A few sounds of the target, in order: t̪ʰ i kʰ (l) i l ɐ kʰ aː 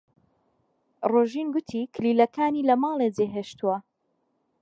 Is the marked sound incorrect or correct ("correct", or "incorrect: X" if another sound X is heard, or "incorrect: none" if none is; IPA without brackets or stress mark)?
correct